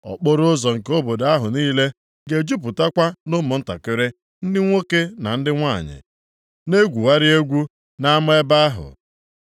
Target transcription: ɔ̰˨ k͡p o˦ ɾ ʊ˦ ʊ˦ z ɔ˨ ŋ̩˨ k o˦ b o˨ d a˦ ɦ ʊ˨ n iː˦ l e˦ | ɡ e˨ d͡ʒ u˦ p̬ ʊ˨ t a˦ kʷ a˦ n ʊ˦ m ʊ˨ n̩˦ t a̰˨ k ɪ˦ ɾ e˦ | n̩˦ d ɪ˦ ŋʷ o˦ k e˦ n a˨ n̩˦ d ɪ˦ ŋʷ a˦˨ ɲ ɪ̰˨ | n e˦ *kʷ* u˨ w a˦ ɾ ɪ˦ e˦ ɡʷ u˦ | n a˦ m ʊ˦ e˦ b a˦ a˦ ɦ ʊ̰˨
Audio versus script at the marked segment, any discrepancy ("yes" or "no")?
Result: yes